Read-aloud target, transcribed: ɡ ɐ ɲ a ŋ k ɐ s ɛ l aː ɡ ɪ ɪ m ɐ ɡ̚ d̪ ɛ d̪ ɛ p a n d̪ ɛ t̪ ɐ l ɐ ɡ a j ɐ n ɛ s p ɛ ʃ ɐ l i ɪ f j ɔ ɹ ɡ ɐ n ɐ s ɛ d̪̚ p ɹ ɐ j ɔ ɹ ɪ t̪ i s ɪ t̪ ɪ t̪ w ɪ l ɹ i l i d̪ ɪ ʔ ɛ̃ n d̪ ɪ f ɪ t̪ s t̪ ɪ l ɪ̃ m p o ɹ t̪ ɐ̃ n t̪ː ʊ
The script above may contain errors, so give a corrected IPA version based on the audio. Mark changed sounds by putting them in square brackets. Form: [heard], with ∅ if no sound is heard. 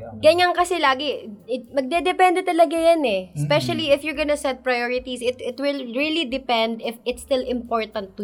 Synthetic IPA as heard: ɡ ɐ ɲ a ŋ k ɐ s ɛ l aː ɡ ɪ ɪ m ɐ ɡ̚ d̪ ɛ d̪ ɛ p [ɛ] n d̪ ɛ t̪ ɐ l ɐ ɡ a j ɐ n ɛ s p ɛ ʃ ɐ l i ɪ f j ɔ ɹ ɡ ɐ n ɐ s ɛ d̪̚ p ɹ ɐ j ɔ ɹ ɪ t̪ i s ɪ t̪ ɪ t̪ w ɪ l ɹ i l i d̪ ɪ [p] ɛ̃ n d̪ ɪ f ɪ t̪ s t̪ ɪ l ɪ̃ m p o ɹ t̪ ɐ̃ n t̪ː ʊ